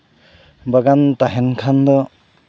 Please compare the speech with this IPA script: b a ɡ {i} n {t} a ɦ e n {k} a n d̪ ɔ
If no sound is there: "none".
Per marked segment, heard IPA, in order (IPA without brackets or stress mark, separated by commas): a, t, kʰ